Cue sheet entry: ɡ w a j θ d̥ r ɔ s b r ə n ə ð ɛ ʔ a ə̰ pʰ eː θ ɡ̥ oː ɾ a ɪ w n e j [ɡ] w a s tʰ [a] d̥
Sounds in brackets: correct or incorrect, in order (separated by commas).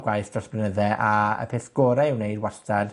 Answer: incorrect, correct